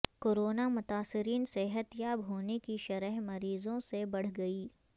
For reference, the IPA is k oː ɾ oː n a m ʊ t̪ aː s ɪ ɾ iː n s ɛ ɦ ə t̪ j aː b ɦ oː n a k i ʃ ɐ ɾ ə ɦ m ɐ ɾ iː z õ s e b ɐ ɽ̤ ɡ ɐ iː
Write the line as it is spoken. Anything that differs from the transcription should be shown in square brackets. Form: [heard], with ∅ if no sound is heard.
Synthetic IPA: k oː ɾ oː n a m ʊ t̪ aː s ɪ ɾ iː n s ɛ ɦ ə t̪ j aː b ɦ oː n [e] k i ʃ ɐ ɾ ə ɦ m ɐ ɾ iː z õ s e b ɐ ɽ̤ ɡ ɐ iː